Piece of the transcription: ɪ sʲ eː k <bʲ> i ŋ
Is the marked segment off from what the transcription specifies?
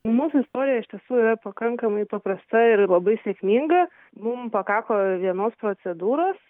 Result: yes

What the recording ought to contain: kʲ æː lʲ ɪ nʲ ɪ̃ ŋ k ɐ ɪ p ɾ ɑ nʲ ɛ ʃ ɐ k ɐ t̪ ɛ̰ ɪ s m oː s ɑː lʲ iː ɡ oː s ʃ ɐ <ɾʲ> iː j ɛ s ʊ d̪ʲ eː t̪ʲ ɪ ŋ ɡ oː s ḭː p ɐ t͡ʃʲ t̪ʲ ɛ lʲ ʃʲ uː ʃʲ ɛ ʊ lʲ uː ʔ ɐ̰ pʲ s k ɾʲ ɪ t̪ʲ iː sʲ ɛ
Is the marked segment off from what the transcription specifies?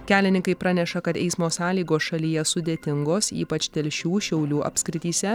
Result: yes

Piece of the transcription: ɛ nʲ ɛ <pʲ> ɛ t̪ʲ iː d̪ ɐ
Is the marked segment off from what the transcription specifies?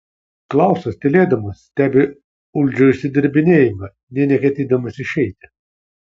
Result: yes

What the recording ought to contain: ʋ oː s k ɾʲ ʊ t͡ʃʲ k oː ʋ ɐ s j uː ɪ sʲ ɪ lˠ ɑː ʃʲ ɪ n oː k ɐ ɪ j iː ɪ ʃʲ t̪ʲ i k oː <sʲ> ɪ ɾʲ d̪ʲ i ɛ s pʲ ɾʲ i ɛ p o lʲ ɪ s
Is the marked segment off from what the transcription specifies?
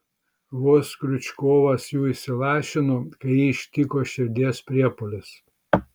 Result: yes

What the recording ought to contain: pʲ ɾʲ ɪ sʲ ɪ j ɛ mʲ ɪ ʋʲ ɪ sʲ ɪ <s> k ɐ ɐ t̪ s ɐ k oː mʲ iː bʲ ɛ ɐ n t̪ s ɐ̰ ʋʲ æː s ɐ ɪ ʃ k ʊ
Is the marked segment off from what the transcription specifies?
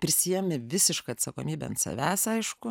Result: yes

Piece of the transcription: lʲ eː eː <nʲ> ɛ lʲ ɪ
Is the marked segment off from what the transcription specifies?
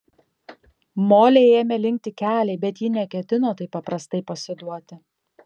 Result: yes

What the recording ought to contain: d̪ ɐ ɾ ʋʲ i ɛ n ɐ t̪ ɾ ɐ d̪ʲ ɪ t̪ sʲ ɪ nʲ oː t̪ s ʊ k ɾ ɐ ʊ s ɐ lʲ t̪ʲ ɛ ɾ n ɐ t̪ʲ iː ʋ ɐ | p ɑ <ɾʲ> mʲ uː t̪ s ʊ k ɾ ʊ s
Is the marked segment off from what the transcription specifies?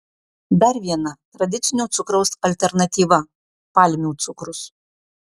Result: yes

